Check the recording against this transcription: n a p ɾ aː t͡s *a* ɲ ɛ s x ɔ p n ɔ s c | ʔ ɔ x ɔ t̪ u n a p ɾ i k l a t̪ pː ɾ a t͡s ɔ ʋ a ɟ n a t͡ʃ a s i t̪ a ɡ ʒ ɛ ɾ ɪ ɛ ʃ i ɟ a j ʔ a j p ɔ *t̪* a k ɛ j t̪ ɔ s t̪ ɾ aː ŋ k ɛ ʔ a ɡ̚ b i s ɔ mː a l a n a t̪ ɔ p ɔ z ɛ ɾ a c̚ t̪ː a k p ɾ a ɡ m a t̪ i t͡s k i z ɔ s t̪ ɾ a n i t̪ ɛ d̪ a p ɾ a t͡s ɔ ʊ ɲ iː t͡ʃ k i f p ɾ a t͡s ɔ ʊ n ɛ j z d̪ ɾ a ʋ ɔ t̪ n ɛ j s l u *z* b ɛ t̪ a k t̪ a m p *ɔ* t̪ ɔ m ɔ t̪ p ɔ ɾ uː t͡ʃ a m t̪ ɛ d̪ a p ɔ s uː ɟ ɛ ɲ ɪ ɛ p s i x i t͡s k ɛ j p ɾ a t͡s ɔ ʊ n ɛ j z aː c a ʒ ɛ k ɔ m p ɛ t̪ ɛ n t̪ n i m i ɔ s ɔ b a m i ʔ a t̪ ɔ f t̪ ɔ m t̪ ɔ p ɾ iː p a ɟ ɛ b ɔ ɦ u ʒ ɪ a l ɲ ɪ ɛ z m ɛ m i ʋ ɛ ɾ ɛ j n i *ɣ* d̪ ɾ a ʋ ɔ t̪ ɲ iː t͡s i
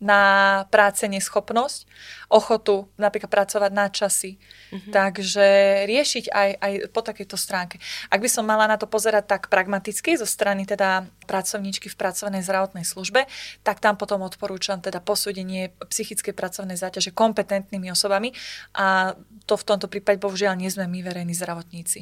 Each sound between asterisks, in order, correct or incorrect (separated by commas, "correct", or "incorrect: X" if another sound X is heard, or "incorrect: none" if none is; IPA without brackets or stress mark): incorrect: ɛ, correct, incorrect: ʒ, correct, incorrect: z